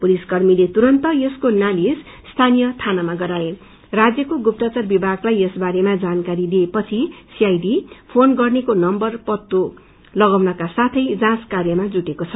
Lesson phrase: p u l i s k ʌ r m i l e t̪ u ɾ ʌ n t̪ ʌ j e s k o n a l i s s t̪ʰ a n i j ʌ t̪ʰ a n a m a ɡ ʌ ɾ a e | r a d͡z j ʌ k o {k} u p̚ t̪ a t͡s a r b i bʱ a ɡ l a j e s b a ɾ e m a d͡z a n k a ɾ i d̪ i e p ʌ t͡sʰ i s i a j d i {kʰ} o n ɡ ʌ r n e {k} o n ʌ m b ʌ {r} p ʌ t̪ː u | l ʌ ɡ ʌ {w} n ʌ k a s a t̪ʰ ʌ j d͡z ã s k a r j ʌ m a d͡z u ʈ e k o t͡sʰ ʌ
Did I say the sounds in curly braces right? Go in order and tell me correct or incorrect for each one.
incorrect, incorrect, correct, correct, correct

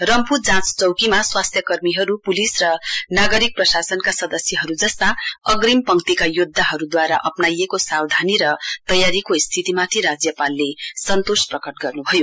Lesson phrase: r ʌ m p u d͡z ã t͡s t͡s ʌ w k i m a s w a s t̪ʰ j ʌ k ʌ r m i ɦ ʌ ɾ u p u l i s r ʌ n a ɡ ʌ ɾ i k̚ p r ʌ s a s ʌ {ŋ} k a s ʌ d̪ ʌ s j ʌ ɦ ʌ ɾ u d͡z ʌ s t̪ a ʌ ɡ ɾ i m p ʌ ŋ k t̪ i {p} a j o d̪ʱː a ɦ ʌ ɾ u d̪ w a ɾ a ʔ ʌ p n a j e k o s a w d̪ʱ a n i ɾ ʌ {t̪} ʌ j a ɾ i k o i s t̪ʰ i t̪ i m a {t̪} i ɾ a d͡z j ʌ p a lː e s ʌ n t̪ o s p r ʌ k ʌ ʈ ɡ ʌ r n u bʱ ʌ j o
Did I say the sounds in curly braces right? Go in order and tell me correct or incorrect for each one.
incorrect, incorrect, correct, incorrect

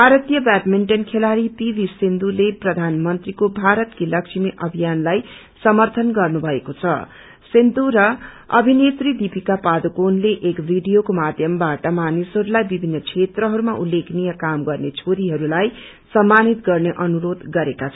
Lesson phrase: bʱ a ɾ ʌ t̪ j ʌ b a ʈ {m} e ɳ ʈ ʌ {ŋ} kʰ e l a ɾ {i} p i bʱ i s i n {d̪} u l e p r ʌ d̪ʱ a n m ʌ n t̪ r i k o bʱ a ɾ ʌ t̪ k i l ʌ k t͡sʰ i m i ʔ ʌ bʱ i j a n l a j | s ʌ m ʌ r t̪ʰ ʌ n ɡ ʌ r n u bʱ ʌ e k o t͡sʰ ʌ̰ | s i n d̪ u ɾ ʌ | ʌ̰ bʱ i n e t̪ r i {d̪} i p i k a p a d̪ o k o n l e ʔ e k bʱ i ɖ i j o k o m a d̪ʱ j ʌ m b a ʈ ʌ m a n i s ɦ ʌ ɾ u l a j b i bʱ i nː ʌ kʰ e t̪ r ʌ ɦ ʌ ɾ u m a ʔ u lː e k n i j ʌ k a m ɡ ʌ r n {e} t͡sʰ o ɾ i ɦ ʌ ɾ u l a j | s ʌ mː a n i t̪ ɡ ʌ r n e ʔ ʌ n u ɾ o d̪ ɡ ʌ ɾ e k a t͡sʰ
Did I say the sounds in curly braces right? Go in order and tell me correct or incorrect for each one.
correct, incorrect, correct, correct, correct, correct

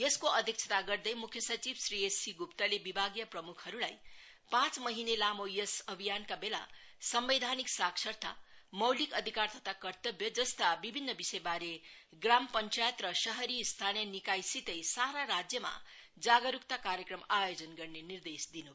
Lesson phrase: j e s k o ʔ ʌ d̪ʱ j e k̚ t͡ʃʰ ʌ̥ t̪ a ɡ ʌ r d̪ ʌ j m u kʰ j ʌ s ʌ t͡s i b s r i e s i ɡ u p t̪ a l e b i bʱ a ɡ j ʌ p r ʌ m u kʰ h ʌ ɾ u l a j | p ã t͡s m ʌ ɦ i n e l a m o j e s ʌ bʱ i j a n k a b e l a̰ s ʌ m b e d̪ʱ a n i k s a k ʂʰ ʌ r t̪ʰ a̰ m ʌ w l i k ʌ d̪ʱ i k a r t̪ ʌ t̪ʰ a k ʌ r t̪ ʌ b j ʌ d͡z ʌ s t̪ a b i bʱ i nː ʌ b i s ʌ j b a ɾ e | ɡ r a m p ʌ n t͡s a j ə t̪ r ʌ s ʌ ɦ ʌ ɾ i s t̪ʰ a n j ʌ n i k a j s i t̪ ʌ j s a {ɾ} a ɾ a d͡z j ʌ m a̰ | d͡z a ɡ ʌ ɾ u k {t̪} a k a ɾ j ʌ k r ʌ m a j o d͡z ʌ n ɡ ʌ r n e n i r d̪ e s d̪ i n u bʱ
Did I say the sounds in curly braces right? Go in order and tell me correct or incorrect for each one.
correct, correct

